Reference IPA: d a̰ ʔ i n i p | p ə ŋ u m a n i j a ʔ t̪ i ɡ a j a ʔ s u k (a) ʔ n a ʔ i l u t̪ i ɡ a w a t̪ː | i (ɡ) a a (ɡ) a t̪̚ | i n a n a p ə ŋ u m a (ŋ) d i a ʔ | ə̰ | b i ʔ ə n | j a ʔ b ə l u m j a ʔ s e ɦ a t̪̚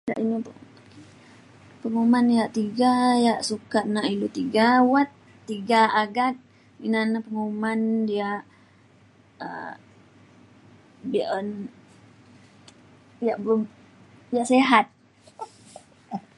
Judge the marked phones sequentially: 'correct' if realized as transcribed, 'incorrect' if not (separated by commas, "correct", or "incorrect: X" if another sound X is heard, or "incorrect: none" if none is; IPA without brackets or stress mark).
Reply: correct, correct, correct, incorrect: n